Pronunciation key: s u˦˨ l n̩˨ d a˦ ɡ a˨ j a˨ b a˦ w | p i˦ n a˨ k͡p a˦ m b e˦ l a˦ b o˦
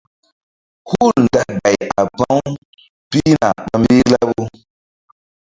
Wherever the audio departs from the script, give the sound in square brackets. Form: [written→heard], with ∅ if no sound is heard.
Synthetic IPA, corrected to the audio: [s→h] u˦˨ l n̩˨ d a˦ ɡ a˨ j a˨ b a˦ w | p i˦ n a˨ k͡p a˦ m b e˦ l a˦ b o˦